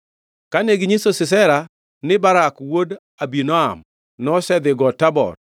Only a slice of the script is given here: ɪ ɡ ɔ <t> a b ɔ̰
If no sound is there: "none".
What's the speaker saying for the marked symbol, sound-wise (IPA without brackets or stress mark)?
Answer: t